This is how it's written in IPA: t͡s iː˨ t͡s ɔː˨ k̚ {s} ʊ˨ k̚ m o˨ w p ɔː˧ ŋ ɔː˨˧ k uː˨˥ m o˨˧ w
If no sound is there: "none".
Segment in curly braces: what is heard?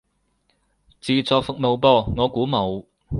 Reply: f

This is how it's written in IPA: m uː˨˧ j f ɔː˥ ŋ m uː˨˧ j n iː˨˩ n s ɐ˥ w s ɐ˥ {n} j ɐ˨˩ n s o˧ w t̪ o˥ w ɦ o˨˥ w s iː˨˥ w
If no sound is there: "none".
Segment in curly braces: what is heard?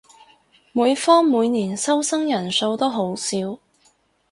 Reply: ŋ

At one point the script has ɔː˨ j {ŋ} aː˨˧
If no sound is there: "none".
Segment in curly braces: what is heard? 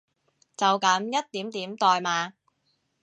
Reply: m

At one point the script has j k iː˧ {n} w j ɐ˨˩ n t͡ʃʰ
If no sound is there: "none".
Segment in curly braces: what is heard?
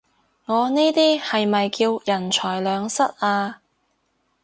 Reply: none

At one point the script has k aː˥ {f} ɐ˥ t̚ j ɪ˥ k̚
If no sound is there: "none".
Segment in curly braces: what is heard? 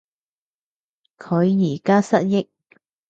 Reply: s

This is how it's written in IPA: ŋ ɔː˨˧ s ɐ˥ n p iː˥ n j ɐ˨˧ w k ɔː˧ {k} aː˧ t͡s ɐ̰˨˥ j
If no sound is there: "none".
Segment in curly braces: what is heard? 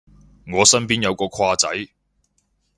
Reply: kʰ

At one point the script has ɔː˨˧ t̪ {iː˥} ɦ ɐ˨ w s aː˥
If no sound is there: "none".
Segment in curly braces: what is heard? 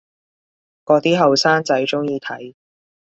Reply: iː˥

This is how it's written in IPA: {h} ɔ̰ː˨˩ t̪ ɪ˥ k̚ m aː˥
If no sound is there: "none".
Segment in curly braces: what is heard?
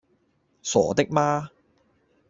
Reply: s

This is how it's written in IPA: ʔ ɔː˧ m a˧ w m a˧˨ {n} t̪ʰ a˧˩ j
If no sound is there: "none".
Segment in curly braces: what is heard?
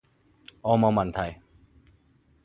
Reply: n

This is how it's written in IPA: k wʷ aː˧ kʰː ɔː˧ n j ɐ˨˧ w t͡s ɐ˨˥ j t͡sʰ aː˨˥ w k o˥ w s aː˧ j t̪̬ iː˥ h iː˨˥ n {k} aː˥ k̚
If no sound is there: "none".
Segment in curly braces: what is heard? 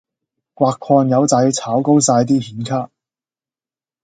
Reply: kʰ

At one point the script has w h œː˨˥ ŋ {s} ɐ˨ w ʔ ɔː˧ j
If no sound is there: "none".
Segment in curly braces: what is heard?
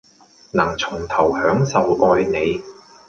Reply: s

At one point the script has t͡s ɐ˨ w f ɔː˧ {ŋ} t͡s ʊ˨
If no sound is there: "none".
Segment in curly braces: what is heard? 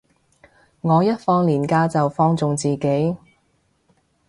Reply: ŋ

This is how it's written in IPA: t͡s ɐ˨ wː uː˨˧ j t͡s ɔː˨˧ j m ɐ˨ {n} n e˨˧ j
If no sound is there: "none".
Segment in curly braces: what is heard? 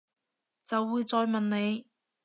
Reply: n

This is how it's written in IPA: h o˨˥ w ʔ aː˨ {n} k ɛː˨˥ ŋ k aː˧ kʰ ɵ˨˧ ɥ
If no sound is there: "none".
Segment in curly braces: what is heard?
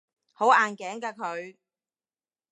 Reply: n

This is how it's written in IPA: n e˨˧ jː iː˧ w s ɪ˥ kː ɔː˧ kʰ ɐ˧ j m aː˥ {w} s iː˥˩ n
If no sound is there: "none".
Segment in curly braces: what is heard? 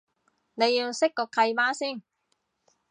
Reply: none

